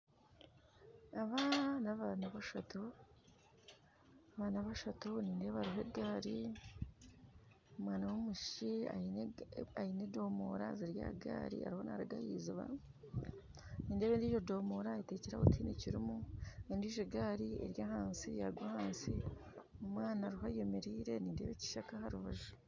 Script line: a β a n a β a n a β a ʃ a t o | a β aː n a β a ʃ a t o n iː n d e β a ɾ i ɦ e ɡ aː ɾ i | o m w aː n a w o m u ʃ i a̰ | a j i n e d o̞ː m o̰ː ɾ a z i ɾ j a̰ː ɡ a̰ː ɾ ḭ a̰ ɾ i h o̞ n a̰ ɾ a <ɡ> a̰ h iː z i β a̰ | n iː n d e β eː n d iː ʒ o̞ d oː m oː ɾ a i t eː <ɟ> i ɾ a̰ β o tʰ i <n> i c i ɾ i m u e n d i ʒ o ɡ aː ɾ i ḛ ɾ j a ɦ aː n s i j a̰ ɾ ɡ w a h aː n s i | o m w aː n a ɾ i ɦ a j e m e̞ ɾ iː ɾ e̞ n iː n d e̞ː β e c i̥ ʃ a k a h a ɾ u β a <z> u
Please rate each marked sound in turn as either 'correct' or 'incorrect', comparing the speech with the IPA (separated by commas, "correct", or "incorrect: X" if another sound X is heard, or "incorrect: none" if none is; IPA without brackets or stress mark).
correct, incorrect: c, correct, incorrect: ʒ